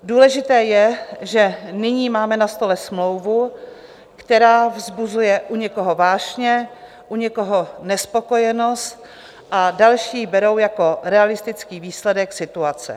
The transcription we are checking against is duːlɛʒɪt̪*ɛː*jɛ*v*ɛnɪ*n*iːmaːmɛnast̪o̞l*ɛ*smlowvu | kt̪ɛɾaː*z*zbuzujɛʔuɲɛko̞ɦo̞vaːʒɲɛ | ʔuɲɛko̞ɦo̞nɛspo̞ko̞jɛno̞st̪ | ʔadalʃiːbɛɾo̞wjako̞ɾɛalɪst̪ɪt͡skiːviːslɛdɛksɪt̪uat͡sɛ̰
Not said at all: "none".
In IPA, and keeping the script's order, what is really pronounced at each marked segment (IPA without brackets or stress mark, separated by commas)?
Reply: ɛː, ʒ, ɲ, ɛ, v